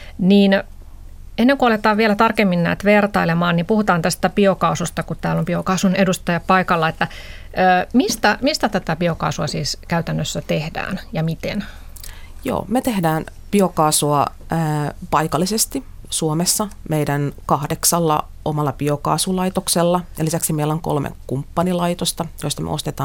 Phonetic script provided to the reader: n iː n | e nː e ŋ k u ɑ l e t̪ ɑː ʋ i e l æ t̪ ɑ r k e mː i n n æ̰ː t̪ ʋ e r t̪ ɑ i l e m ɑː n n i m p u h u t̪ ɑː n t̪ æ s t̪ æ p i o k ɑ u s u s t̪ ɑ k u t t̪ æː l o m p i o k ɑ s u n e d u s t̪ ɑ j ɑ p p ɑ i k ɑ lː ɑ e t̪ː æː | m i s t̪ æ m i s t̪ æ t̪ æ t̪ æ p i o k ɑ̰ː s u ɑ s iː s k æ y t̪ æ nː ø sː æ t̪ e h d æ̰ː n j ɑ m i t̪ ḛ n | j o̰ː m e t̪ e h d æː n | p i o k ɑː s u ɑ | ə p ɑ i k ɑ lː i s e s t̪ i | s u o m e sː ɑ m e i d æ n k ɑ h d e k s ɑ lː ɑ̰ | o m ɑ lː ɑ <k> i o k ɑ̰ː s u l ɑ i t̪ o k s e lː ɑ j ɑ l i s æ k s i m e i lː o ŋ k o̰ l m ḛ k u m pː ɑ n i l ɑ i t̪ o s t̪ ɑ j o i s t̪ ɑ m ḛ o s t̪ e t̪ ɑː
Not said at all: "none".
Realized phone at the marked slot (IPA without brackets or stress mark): p